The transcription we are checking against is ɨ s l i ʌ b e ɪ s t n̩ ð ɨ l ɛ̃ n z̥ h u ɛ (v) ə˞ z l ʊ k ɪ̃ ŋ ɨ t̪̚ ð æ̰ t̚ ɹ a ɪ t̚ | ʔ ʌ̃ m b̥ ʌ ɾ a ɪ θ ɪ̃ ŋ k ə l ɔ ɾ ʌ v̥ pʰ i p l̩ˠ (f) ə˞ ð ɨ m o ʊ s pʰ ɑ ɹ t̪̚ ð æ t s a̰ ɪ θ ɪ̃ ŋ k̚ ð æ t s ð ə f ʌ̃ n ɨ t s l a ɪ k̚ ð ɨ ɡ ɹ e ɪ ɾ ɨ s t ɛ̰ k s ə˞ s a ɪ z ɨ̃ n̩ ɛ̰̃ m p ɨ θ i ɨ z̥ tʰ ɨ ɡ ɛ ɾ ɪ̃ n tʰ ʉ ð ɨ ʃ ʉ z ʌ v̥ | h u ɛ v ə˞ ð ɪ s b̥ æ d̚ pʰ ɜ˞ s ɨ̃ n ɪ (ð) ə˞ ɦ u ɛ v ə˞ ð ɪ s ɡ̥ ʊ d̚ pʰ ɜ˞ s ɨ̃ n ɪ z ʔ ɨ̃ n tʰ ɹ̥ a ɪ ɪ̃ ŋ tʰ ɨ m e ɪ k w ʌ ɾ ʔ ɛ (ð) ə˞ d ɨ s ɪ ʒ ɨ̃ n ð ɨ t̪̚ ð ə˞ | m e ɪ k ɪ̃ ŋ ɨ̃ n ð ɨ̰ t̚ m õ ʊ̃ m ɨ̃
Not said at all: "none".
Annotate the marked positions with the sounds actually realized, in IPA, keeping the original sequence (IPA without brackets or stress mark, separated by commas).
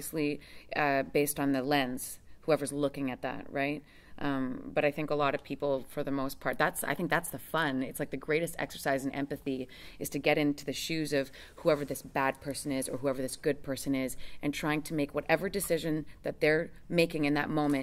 v, f, z, v